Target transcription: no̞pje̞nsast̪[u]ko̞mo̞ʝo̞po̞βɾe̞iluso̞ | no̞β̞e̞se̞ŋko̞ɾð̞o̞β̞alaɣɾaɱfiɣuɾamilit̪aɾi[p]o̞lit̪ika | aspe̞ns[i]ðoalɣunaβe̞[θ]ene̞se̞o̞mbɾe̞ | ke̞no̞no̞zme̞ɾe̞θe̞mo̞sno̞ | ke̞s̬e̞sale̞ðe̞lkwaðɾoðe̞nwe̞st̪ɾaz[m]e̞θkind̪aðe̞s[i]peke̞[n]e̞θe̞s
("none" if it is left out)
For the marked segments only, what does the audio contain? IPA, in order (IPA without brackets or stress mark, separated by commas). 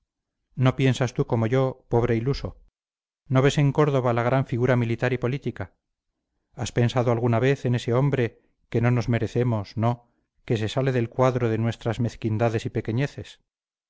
u, p, a, θ, m, i, ɲ